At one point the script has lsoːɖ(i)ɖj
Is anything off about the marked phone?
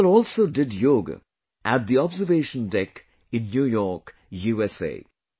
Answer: yes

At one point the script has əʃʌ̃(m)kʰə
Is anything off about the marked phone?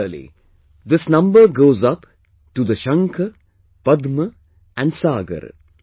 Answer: yes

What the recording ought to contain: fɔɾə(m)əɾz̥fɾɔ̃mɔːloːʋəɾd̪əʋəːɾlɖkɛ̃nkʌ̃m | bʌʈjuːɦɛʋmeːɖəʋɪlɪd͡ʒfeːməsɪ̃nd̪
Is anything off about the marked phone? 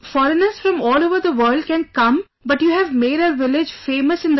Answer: yes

